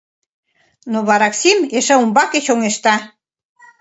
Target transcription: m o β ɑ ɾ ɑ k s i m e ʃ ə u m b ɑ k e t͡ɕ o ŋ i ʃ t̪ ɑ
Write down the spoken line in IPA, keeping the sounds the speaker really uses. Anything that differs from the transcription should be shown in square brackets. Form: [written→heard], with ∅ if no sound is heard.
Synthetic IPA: [m→n] o β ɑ ɾ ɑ k s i m e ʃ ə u m b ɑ k e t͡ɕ o ŋ [i→e] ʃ t̪ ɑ